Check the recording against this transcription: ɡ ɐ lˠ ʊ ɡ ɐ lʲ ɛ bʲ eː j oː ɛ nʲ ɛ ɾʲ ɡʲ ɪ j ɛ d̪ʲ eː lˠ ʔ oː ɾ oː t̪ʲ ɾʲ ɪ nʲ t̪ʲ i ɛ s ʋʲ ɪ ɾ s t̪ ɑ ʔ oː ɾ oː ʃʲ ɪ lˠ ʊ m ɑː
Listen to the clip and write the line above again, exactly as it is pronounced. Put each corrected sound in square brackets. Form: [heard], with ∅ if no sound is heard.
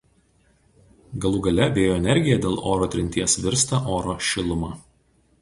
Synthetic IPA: ɡ ɐ lˠ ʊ ɡ ɐ lʲ ɛ bʲ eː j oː ɛ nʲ ɛ ɾʲ ɡʲ ɪ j ɛ d̪ʲ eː lˠ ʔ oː ɾ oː t̪ʲ ɾʲ ɪ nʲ t̪ʲ i ɛ s ʋʲ ɪ ɾ s t̪ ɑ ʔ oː ɾ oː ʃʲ ɪ lˠ ʊ m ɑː